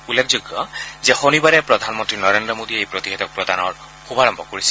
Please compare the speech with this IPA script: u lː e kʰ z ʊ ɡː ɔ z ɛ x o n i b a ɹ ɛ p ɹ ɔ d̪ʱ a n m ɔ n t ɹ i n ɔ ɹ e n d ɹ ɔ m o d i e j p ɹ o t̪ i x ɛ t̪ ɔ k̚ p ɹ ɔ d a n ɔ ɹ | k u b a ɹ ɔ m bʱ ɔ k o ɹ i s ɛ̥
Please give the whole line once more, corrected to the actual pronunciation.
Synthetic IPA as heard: u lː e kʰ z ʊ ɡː ɔ z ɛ x o n i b a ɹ ɛ p ɹ ɔ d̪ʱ a n m ɔ n t ɹ i n ɔ ɹ e n d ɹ ɔ m o d i e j p ɹ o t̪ i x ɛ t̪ ɔ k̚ p ɹ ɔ d a n ɔ ɹ | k u b a ɹ ɔ m bʱ ɔ k o ɹ i s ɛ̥

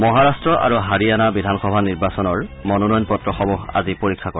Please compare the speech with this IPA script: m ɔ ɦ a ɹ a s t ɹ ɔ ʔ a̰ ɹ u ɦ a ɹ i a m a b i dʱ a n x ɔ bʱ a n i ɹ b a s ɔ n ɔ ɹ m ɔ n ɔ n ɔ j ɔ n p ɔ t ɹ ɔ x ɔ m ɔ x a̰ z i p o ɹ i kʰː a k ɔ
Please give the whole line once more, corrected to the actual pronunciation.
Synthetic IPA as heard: m ɔ ɦ a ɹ a s t ɹ ɔ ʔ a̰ ɹ u ɦ a ɹ i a n a b i dʱ a n x ɔ bʱ a n i ɹ b a s ɔ n ɔ ɹ m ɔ n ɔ n ɔ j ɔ n p ɔ t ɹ ɔ x ɔ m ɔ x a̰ z i p o ɹ i kʰː a k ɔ

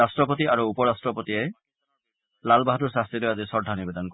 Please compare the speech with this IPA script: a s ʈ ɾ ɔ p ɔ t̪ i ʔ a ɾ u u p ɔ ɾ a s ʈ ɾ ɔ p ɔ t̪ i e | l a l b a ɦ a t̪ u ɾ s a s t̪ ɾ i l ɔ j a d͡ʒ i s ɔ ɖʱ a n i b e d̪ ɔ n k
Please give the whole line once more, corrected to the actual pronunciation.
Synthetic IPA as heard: a s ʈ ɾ ɔ p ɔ t̪ i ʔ a ɾ u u p ɔ ɾ a s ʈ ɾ ɔ p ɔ t̪ i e | l a l b a ɦ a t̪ u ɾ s a s t̪ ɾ i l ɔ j a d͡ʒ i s ɔ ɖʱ a n i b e d̪ ɔ n k

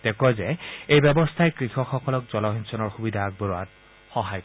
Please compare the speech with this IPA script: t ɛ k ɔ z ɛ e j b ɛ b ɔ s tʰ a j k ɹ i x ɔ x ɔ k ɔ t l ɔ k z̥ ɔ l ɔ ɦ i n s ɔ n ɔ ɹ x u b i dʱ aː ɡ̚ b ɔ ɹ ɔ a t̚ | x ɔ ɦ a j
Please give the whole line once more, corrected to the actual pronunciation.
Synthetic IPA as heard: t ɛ k ɔ z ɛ e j b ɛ b ɔ s tʰ a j k ɹ i x ɔ x ɔ k ɔ l ɔ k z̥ ɔ l ɔ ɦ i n s ɔ n ɔ ɹ x u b i dʱ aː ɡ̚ b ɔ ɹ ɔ a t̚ | x ɔ ɦ a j

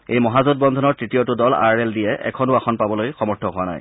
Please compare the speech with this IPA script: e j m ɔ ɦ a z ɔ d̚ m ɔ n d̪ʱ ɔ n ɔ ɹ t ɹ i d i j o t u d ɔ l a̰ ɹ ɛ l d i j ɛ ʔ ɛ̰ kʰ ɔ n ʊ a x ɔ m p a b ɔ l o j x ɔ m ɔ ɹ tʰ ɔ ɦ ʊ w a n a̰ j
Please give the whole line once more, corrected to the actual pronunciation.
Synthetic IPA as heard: e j m ɔ ɦ a z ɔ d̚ b ɔ n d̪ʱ ɔ n ɔ ɹ t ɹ i t i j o t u d ɔ l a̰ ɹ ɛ l d i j ɛ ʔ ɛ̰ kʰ ɔ n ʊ a x ɔ n p a b ɔ l o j x ɔ m ɔ ɹ tʰ ɔ ɦ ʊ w a n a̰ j

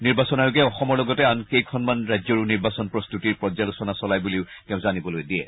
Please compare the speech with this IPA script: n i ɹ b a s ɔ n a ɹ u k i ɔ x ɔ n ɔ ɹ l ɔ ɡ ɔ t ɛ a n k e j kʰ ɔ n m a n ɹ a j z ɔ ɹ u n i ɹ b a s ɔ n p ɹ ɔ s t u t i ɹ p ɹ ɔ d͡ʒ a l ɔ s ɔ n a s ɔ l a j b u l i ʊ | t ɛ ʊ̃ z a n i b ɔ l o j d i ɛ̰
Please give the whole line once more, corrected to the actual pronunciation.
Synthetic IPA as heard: n i ɹ b a s ɔ n a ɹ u k ɛ ɔ x ɔ m ɔ ɹ l ɔ ɡ ɔ t ɛ a n k e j kʰ ɔ n m a n ɹ a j z ɔ ɹ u n i ɹ b a s ɔ n p ɹ ɔ s t u t i ɹ p ɹ ɔ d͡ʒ a l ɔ s ɔ n a s ɔ l a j b u l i ʊ | t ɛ ʊ̃ z a n i b ɔ l o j d i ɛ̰

